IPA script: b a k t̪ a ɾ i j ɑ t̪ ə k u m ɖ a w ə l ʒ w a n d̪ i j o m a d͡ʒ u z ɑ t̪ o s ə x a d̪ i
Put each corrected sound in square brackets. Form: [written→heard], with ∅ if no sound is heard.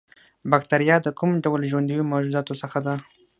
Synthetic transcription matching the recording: b a k t̪ a ɾ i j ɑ [t̪→d̪] ə k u m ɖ a w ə l ʒ w a n d̪ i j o m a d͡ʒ u z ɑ t̪ o s ə x a d̪ [i→a]